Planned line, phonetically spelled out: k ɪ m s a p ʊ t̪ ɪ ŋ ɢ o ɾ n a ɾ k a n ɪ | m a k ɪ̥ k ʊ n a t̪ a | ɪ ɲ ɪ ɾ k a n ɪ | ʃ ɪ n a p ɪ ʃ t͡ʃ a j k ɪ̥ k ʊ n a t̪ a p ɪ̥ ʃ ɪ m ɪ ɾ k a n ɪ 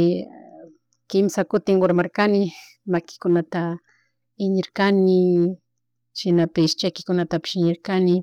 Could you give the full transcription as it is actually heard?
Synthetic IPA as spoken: k ɪ m s a k ʊ t̪ ɪ ŋ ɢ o ɾ m a ɾ k a n ɪ | m a k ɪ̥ k ʊ n a t̪ a | ɪ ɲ ɪ ɾ k a n ɪ | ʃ ɪ n a p ɪ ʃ t͡ʃ a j k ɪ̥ k ʊ n a t̪ a p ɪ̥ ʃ ɪ ɲ ɪ ɾ k a n ɪ